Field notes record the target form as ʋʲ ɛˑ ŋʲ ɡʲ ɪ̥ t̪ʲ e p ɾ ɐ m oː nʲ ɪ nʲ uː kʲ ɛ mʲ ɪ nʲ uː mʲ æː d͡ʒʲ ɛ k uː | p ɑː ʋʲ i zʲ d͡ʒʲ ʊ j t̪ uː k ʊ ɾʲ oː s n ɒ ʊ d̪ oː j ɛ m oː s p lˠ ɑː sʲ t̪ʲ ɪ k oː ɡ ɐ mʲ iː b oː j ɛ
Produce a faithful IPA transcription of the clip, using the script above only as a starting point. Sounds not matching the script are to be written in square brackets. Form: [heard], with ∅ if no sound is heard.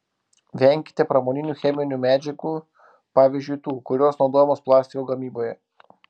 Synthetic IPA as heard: ʋʲ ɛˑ ŋʲ [kʲ] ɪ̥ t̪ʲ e p ɾ ɐ m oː nʲ ɪ nʲ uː [xʲ] ɛ mʲ ɪ nʲ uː mʲ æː d͡ʒʲ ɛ k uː | p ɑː ʋʲ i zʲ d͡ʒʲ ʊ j t̪ uː k ʊ ɾʲ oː s n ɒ ʊ d̪ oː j ɛ m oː s p lˠ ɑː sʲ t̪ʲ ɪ k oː ɡ ɐ mʲ iː b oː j ɛ